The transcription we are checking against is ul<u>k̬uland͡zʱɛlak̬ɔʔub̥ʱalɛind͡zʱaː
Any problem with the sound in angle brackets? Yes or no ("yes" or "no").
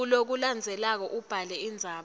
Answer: yes